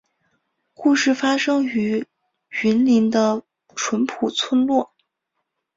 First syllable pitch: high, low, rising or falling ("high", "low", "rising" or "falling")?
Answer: falling